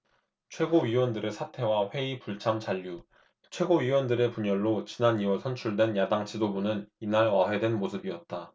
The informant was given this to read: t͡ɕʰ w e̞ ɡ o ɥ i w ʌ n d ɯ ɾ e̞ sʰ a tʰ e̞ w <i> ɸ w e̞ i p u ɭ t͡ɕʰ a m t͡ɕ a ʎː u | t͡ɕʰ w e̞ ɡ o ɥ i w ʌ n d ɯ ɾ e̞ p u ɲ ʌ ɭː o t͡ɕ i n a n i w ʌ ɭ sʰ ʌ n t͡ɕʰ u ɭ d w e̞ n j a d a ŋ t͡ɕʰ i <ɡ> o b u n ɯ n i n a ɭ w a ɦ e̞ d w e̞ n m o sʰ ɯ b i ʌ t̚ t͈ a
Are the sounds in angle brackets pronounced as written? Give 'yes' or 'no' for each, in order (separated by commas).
no, no